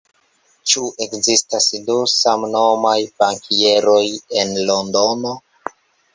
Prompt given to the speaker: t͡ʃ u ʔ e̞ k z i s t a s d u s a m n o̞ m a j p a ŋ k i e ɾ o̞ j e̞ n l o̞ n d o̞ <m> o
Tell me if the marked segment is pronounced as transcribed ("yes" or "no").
no